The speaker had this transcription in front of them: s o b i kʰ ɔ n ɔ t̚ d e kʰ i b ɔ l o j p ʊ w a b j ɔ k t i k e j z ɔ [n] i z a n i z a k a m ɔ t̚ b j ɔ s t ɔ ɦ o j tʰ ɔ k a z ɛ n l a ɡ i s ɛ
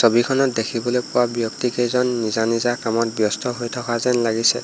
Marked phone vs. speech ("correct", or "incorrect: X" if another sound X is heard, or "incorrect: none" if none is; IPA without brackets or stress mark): incorrect: nː